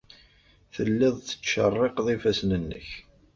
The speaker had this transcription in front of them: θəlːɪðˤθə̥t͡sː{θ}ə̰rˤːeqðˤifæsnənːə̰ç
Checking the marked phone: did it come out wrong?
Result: yes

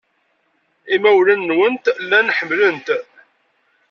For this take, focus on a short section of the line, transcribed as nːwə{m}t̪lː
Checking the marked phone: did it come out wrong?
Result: yes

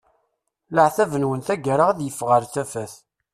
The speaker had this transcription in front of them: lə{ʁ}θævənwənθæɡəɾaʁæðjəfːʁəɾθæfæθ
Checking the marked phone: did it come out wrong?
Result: yes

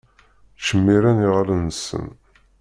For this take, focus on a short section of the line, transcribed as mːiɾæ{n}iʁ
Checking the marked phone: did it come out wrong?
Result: no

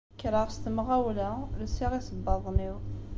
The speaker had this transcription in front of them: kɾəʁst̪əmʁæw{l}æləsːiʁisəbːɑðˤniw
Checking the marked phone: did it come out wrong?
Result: no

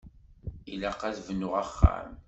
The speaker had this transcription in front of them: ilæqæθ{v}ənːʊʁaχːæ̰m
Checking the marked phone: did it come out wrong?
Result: no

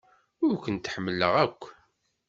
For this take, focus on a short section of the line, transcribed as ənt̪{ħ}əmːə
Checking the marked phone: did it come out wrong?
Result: no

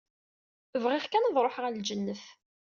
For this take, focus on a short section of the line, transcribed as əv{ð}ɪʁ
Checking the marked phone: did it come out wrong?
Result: yes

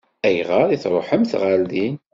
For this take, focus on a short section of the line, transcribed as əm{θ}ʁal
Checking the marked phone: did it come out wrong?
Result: no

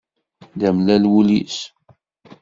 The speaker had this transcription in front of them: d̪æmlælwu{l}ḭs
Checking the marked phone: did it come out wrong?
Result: no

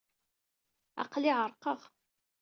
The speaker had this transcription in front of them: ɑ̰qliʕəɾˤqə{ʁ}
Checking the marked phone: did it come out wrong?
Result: no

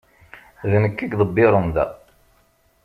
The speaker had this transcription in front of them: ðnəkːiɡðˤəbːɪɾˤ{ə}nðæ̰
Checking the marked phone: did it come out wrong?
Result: no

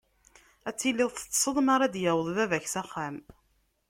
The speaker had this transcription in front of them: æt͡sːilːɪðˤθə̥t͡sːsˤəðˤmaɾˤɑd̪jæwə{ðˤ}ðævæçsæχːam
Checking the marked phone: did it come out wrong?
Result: no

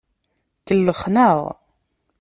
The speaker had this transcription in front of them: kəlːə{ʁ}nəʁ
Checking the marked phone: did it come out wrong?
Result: yes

